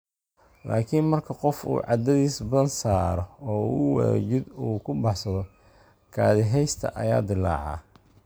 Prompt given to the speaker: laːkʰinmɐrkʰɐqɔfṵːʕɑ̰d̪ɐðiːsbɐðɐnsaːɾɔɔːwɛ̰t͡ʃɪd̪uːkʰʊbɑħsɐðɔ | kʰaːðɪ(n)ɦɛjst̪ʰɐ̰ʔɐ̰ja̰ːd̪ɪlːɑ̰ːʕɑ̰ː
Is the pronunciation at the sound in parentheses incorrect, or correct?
incorrect